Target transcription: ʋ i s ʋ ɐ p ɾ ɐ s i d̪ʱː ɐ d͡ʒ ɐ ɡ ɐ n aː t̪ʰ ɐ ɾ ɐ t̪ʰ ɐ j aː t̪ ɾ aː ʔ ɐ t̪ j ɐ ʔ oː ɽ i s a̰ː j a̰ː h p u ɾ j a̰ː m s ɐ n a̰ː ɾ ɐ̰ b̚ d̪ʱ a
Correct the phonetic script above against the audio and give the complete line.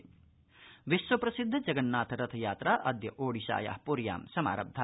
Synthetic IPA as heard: ʋ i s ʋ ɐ p ɾ ɐ s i d̪ʱː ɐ d͡ʒ ɐ ɡ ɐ nː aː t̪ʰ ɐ ɾ ɐ t̪ʰ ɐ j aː t̪ ɾ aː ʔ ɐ d̪ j ɐ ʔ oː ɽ i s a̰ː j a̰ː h p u ɾ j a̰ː m s ɐ m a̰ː ɾ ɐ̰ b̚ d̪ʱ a